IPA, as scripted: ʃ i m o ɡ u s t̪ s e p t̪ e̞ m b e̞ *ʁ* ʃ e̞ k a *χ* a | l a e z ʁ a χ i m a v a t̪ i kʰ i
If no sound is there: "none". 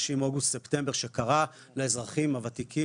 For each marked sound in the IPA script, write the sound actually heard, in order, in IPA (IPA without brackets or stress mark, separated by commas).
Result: ʁ, ʁ